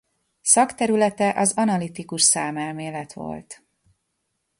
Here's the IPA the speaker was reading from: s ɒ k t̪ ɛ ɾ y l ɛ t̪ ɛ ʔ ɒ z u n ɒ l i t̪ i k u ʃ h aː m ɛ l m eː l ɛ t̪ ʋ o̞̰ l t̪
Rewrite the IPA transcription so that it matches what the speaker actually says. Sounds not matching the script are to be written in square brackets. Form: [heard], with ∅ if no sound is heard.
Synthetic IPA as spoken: s ɒ k t̪ ɛ ɾ y l ɛ t̪ ɛ ʔ ɒ z [ɒ] n ɒ l i t̪ i k u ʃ [s] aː m ɛ l m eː l ɛ t̪ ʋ o̞̰ l t̪